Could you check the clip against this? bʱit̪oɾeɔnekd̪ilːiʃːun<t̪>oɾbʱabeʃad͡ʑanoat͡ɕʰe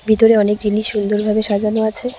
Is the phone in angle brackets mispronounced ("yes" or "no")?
yes